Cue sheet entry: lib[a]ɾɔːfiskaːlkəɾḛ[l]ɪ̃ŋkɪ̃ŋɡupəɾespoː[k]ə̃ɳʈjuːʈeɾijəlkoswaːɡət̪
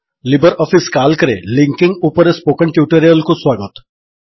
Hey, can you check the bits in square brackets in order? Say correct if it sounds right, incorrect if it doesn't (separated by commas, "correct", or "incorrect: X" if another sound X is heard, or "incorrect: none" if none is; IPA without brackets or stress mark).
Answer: incorrect: ə, correct, correct